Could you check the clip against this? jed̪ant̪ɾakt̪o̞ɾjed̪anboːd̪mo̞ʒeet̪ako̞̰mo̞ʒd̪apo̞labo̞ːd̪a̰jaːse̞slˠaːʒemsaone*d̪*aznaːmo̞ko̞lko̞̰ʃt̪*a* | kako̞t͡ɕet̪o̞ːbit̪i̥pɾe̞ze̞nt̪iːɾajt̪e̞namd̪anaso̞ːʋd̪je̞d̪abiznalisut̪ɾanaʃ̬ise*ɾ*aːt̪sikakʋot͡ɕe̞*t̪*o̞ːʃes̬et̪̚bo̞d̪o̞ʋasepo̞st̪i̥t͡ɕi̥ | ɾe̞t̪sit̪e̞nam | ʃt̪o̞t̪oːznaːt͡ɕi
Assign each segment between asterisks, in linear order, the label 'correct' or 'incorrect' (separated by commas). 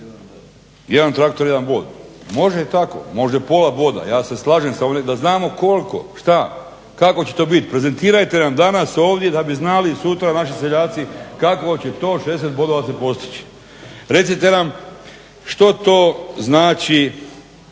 correct, correct, incorrect, correct